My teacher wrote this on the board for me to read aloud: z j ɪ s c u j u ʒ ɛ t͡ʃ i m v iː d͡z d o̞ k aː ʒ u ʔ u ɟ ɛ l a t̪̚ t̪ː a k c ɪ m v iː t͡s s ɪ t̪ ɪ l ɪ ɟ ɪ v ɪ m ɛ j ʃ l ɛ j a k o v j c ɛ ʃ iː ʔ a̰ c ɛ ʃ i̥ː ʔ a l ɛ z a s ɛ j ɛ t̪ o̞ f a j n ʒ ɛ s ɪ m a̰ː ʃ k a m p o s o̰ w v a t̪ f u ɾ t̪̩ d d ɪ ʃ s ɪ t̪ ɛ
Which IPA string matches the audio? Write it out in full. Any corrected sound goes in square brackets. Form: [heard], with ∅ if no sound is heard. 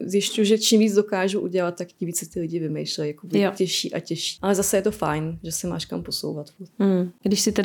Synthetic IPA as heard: z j ɪ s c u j u ʒ ɛ t͡ʃ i m v iː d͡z d o̞ k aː ʒ u ʔ u ɟ ɛ l a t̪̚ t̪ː a k c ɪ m v iː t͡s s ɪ t̪ ɪ l ɪ ɟ ɪ v ɪ m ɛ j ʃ l ɛ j a k o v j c ɛ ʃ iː ʔ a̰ c ɛ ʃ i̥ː ʔ a l ɛ z a s ɛ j ɛ t̪ o̞ f a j n ʒ ɛ s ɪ m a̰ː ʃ k a m p o s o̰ w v a t̪ f u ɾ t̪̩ [ɡ] d ɪ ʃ s ɪ t̪ ɛ